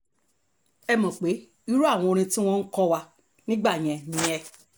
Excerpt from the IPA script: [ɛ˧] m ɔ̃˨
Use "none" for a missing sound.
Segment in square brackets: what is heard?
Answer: ɛ˧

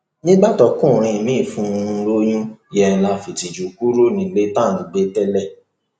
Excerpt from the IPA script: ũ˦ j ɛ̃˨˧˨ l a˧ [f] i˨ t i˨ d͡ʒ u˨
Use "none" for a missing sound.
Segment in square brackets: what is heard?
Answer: f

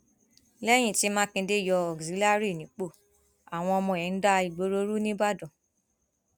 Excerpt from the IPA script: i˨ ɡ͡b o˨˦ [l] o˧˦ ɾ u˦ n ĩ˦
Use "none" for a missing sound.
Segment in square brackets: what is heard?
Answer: ɾ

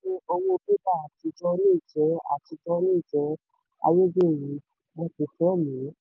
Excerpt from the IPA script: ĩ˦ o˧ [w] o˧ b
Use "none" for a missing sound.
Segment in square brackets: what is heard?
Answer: w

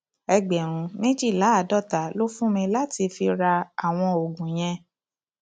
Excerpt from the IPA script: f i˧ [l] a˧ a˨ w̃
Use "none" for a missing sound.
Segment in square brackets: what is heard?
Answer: ɾ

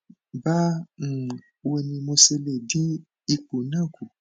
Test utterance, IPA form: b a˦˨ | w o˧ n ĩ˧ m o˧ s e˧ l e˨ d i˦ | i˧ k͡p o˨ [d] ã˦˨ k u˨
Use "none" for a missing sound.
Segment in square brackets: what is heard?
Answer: n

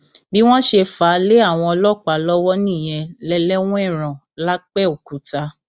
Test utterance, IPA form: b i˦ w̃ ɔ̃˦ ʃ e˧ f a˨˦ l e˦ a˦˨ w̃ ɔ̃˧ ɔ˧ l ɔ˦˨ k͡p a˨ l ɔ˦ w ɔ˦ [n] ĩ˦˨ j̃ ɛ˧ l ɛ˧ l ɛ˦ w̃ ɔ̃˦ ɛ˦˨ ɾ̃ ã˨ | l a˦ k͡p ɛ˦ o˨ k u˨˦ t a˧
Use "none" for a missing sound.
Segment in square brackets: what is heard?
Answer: n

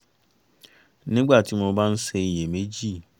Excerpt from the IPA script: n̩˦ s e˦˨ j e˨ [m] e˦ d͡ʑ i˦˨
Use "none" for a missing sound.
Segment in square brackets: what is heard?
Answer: m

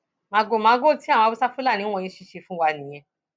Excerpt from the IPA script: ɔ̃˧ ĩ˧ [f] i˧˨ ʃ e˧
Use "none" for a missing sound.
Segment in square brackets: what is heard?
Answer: ʃ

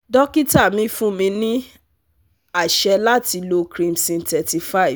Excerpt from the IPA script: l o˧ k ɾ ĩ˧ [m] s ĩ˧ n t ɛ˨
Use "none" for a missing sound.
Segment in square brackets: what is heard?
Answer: m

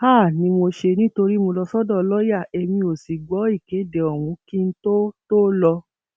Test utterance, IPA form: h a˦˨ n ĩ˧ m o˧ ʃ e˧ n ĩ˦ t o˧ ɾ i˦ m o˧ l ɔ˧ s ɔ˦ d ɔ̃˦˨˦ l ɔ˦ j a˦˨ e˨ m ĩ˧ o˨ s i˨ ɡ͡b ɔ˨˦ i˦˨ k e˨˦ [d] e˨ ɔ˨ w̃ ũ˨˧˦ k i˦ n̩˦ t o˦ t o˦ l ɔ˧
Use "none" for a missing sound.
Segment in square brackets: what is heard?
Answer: d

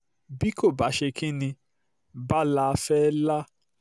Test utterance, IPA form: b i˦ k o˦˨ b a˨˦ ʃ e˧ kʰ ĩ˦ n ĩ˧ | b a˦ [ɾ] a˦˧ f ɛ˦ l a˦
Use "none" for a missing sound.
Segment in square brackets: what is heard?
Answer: l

